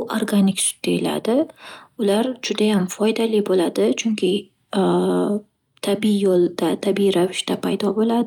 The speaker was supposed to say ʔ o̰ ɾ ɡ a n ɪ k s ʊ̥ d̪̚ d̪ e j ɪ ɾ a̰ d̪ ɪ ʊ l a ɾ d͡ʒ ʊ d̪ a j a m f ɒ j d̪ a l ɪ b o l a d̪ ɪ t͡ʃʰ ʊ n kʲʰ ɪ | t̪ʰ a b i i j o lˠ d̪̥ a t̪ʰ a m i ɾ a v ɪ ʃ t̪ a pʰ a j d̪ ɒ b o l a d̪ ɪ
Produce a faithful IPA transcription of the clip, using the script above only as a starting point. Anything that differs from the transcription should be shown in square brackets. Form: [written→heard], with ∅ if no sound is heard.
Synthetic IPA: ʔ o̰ ɾ ɡ a n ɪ k s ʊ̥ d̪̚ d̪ e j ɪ [ɾ→l] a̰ d̪ ɪ ʊ l a ɾ d͡ʒ ʊ d̪ a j a m f ɒ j d̪ a l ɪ b o l a d̪ ɪ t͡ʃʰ ʊ [n→ŋ] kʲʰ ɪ | t̪ʰ a b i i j o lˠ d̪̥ a t̪ʰ a [m→b] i ɾ a v ɪ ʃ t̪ a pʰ a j d̪ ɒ b o l a d̪ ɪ